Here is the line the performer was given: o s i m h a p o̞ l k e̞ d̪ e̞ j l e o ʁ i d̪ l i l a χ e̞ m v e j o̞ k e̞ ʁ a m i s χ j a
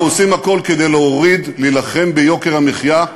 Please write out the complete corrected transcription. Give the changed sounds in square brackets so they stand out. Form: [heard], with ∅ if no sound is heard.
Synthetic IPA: o s i m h a [k] o̞ l k e̞ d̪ e̞ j l e o ʁ i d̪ l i l a χ e̞ m [b] e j o̞ k e̞ ʁ a m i [∅] χ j a